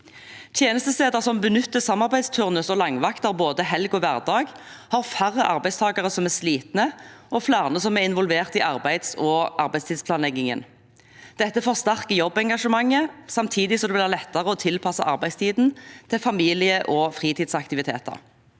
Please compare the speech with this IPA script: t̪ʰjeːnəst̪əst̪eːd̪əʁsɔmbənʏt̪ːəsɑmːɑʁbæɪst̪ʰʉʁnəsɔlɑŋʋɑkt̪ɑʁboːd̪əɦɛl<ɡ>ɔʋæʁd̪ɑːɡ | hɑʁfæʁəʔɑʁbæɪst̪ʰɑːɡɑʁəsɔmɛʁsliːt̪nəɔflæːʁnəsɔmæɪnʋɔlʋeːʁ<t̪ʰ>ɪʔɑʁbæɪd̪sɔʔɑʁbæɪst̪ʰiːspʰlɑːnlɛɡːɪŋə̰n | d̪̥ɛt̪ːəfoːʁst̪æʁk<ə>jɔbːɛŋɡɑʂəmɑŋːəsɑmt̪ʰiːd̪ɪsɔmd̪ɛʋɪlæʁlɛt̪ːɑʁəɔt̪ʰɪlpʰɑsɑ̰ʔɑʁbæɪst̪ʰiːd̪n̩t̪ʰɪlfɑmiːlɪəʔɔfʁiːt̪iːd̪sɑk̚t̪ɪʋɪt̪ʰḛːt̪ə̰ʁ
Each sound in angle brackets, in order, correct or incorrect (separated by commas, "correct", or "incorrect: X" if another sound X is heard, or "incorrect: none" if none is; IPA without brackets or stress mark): correct, incorrect: t̪, correct